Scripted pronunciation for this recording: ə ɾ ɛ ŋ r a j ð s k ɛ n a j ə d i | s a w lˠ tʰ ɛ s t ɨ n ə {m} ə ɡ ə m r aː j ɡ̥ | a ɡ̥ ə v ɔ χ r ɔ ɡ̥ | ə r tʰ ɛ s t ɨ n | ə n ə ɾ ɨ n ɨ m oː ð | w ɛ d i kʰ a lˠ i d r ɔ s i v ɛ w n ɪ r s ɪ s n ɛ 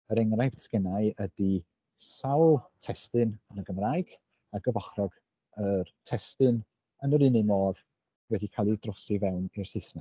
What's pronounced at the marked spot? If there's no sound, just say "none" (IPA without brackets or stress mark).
n